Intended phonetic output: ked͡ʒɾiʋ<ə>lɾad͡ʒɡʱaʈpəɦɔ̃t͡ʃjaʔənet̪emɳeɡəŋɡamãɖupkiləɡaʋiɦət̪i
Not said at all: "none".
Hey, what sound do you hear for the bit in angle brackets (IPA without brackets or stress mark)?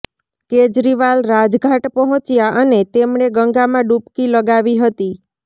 a